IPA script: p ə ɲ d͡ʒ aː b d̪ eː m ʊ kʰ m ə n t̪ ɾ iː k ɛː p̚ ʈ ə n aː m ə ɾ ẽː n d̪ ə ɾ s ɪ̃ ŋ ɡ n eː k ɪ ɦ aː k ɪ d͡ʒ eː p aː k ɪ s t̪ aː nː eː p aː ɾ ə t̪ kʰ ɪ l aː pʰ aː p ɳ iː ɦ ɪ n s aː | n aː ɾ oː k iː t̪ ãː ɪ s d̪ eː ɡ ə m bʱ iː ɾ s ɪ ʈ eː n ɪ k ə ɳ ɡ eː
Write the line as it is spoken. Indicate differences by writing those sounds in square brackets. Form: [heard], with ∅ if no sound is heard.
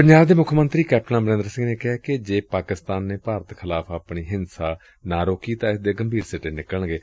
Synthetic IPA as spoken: p ə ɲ d͡ʒ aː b d̪ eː m ʊ kʰ m ə n t̪ ɾ iː k ɛː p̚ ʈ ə n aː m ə ɾ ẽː n d̪ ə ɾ s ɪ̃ ŋ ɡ n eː k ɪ ɦ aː k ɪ d͡ʒ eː p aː k ɪ s t̪ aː nː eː p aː ɾ ə t̪ kʰ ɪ l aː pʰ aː p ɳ iː ɦ ɪ n s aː | n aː ɾ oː k iː t̪ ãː ɪ s d̪ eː ɡ ə m bʱ iː ɾ s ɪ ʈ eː n ɪ k ə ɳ ɡ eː